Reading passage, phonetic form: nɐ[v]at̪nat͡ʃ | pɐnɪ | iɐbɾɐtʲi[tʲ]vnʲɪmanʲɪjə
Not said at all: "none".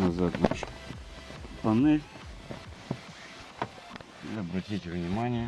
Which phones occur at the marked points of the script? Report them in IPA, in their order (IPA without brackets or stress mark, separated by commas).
z, tʲ